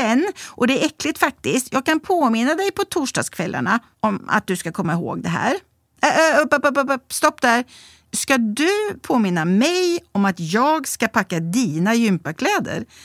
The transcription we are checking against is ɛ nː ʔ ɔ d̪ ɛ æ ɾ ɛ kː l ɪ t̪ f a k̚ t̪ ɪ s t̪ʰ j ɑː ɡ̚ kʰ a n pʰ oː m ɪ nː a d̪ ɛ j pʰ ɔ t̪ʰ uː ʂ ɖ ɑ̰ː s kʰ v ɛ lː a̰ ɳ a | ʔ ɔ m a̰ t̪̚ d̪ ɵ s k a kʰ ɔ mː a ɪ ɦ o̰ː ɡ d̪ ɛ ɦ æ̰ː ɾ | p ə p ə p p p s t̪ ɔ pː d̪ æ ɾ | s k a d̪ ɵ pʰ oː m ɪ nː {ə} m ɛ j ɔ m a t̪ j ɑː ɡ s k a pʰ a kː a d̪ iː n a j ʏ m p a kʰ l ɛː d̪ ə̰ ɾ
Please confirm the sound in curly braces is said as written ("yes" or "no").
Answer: no